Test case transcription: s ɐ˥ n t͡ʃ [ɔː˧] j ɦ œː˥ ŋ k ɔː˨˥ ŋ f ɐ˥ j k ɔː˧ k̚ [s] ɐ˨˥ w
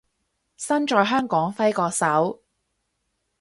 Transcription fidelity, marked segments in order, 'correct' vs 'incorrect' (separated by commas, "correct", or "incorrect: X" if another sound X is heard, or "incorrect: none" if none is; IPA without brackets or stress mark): correct, correct